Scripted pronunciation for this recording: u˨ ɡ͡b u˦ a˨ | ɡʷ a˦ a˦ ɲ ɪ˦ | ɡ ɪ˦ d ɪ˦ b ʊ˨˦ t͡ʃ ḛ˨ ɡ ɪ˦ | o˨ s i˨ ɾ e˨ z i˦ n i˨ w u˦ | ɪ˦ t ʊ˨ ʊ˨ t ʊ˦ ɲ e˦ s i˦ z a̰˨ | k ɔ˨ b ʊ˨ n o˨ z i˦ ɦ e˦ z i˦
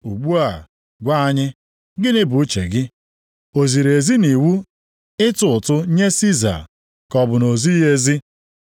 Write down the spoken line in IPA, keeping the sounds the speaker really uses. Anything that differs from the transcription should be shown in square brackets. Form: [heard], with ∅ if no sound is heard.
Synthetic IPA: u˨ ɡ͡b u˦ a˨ | ɡʷ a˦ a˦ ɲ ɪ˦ | ɡ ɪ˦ [n] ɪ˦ b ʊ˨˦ t͡ʃ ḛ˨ ɡ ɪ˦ | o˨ [z] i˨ ɾ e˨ z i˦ n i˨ w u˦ | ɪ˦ t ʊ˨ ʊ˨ t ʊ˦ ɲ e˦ s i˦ z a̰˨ | k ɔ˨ b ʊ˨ n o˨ z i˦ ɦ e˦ z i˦